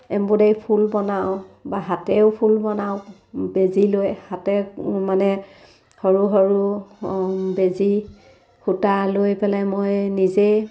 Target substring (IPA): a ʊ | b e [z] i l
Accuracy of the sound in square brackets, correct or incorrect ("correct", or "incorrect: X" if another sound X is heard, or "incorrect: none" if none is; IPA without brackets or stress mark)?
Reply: correct